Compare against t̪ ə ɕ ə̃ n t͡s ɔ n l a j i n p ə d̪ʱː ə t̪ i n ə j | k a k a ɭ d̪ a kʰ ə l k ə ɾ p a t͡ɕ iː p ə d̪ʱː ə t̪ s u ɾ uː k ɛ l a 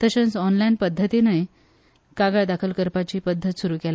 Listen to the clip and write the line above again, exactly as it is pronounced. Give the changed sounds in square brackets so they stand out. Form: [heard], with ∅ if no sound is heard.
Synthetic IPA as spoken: t̪ ə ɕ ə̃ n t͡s ɔ n l a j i n p ə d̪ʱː ə t̪ i n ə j | k a [ɡ] a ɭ d̪ a kʰ ə l k ə ɾ p a t͡ɕ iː p ə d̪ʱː ə t̪ s u ɾ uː k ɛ l a